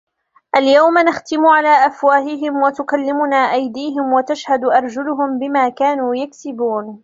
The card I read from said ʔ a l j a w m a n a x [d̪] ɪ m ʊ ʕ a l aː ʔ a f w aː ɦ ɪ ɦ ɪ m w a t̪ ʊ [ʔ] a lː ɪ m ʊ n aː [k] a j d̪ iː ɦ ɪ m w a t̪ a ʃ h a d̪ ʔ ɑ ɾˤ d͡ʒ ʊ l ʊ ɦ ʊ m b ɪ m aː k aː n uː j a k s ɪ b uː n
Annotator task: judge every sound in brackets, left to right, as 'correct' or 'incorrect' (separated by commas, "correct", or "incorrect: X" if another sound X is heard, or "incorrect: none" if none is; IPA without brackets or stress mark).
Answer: incorrect: t̪, incorrect: k, incorrect: ʔ